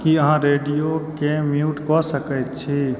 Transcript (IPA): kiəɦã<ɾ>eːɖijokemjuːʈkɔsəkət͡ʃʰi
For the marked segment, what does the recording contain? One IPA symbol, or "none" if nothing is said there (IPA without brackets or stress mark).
ɾ